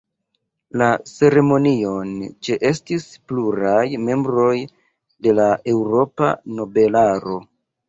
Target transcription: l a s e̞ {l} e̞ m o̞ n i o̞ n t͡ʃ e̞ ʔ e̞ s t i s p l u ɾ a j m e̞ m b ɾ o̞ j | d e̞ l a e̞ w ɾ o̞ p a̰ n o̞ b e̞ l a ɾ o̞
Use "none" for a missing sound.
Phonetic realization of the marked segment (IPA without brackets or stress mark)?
ɾ